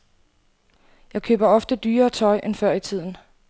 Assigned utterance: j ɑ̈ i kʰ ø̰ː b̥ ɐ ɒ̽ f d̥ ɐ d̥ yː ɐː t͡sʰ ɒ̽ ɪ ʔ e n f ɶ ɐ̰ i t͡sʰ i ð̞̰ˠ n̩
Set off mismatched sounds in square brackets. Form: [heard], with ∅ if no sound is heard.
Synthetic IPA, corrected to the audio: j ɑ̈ [ɪ] kʰ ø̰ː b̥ ɐ ɒ̽ f d̥ [ə] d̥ yː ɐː t͡sʰ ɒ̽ ɪ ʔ e n f ɶ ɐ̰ i t͡sʰ i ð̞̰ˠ n̩